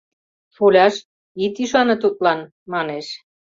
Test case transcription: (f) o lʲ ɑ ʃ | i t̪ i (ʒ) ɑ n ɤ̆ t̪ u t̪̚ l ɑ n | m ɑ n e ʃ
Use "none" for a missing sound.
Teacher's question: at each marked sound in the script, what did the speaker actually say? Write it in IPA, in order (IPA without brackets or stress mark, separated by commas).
f, ʃ